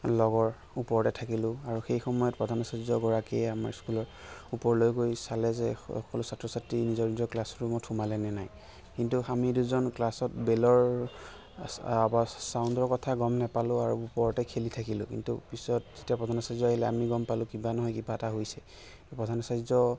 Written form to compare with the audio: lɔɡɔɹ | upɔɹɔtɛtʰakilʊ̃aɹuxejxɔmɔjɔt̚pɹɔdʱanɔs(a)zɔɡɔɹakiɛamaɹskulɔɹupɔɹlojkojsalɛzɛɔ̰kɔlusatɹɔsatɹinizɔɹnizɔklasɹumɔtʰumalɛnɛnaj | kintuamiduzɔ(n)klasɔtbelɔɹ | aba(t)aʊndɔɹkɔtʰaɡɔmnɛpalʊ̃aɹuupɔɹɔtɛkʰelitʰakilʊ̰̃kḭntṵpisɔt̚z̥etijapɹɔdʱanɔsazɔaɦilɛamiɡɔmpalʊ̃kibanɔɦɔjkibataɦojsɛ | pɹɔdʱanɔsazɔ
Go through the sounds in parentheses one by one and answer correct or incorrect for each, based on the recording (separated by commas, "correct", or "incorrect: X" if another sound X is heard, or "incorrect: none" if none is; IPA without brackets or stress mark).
correct, correct, incorrect: s